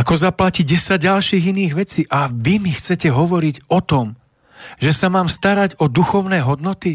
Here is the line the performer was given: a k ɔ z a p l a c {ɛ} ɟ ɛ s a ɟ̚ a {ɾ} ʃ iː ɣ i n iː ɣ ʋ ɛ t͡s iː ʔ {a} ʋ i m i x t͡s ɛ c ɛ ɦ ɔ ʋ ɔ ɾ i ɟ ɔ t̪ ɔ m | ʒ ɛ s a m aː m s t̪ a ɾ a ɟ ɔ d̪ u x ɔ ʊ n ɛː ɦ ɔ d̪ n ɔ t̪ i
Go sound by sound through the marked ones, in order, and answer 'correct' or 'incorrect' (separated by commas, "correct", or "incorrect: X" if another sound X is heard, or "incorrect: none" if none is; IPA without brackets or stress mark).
incorrect: i, incorrect: l, correct